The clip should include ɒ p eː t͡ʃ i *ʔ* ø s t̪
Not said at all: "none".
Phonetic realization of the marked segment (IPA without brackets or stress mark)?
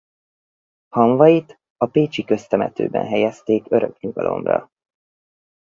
k